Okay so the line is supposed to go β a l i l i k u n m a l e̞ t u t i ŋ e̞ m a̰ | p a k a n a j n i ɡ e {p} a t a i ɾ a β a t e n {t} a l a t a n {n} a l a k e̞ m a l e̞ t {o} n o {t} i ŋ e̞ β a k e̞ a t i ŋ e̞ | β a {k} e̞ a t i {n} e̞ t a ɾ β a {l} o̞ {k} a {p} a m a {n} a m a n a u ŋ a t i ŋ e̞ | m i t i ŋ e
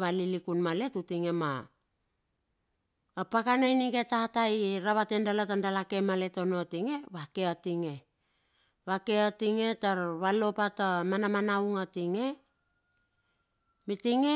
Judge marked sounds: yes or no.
no, no, no, yes, yes, yes, no, yes, no, no, yes

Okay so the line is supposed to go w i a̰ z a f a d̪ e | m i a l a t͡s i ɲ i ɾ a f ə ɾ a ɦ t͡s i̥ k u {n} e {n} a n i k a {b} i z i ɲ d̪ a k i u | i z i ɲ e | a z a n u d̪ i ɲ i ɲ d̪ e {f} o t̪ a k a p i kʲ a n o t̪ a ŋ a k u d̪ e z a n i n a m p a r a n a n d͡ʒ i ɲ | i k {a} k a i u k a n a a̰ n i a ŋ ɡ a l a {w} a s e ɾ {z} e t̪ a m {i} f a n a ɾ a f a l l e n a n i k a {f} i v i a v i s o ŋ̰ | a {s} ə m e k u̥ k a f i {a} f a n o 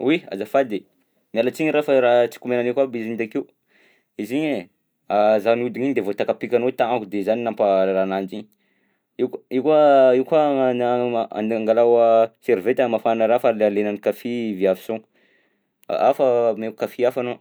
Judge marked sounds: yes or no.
no, yes, yes, no, no, yes, no, no, yes, no, yes

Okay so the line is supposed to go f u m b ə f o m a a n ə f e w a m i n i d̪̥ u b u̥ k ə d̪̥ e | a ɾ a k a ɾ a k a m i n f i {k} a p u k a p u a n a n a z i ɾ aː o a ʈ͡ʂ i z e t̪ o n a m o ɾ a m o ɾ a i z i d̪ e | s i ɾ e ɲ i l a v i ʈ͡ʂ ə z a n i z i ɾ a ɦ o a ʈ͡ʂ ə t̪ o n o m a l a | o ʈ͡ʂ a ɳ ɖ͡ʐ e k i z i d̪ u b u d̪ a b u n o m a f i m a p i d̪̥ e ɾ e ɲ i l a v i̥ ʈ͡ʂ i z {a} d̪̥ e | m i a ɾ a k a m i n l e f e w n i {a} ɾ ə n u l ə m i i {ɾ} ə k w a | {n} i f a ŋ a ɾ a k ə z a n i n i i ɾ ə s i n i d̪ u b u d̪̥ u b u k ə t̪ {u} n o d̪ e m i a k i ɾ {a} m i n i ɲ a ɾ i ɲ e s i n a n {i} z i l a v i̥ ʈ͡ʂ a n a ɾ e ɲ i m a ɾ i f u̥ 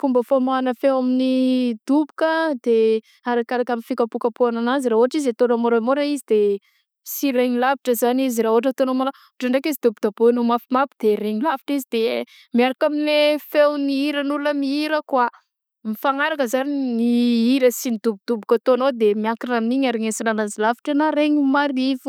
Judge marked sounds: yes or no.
yes, no, no, yes, no, no, yes, no

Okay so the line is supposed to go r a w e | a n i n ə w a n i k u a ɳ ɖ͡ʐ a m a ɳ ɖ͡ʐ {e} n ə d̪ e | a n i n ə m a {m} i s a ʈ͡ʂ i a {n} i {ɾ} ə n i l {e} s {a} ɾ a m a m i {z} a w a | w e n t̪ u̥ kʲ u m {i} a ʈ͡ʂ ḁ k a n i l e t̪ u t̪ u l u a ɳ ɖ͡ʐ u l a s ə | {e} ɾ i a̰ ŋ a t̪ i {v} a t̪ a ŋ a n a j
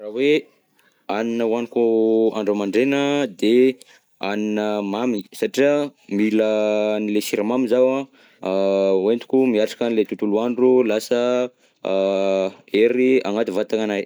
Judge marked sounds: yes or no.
yes, yes, no, no, yes, no, yes, yes, yes, yes

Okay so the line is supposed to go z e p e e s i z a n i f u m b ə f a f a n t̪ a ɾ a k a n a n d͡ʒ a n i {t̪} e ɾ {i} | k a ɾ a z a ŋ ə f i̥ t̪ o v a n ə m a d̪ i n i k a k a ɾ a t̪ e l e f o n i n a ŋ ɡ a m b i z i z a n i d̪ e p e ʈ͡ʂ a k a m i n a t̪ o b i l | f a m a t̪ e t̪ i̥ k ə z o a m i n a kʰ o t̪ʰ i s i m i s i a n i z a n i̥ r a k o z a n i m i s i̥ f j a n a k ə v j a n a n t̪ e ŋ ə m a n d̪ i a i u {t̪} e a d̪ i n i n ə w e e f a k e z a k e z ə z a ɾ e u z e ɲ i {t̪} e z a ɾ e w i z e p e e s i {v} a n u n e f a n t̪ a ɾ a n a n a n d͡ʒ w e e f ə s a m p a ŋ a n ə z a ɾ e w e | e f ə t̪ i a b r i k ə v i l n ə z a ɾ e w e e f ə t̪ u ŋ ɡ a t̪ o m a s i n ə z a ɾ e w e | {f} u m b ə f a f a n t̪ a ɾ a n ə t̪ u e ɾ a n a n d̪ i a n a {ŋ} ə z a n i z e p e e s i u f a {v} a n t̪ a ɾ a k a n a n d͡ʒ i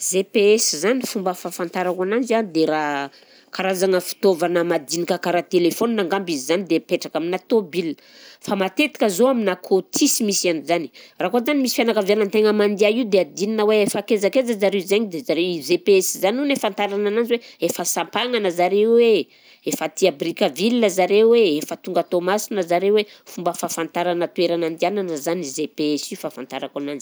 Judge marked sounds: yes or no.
no, no, no, no, no, yes, no, no

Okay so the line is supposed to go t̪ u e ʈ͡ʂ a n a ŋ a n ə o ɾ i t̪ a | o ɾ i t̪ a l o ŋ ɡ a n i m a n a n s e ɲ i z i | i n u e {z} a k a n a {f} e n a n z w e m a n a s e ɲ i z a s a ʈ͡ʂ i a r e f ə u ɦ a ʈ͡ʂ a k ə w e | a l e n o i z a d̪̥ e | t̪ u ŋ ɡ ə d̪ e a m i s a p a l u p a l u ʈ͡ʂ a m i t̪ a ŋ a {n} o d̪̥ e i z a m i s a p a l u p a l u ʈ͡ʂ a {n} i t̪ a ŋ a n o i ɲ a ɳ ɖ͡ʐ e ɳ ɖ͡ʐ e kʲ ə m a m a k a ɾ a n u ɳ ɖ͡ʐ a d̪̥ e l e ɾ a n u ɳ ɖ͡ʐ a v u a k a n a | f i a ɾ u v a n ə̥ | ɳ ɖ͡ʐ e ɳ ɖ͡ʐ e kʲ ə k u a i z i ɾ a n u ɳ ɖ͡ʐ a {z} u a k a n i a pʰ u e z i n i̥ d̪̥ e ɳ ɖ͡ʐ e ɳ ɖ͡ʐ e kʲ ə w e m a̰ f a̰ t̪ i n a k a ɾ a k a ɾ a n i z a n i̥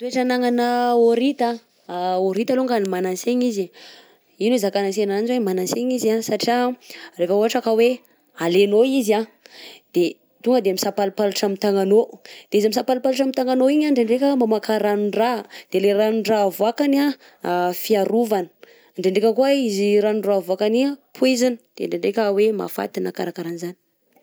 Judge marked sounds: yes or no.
yes, no, yes, no, no

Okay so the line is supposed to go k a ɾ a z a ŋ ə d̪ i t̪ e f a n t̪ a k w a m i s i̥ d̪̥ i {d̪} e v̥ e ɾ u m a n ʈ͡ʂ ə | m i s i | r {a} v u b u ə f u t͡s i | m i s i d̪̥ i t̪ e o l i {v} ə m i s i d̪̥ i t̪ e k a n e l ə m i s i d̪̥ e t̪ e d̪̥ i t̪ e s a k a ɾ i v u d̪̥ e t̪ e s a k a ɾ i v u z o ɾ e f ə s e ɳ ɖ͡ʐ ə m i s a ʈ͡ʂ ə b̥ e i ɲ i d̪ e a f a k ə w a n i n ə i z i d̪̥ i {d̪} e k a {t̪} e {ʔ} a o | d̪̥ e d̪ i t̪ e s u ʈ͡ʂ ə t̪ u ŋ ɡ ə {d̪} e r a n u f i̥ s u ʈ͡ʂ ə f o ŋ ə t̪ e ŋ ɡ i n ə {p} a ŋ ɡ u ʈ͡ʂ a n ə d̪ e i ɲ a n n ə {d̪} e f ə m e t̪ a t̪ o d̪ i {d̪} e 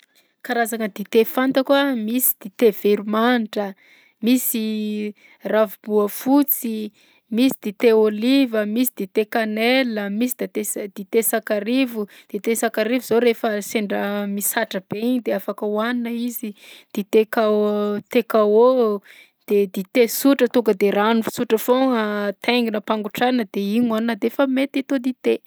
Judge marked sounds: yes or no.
no, yes, yes, no, yes, no, yes, yes, yes, no

